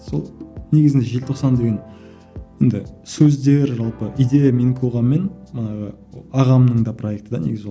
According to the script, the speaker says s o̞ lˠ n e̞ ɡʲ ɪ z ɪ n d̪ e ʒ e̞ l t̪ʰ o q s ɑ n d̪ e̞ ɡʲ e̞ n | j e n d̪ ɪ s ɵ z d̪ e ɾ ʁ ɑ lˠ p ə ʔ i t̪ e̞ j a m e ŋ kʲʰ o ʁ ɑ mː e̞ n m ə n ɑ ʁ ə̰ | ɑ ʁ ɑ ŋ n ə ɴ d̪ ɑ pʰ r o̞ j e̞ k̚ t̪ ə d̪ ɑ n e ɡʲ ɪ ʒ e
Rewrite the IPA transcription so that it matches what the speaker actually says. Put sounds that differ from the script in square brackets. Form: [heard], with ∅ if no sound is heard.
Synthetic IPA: s o̞ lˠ n e̞ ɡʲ ɪ z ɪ n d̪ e ʒ e̞ l t̪ʰ o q s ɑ n d̪ e̞ ɡʲ e̞ n | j e n d̪ ɪ s ɵ z d̪ e ɾ [ʒ] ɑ lˠ p ə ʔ i [d̪] e̞ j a m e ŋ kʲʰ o ʁ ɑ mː e̞ n m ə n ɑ ʁ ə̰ | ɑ ʁ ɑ [m] n ə ɴ d̪ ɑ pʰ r o̞ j e̞ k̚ t̪ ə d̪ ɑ n e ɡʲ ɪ [z] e